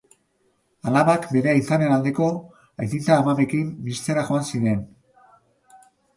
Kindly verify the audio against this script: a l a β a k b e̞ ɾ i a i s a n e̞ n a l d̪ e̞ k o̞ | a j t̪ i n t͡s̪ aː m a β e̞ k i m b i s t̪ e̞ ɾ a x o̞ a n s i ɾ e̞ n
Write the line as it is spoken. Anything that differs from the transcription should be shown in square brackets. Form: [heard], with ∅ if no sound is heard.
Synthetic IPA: a l a β a k b e̞ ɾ [e] a i s a n e̞ n a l d̪ e̞ k o̞ | a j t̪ i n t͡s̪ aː m a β e̞ k i m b i s t̪ e̞ ɾ a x o̞ a n s i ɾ e̞ n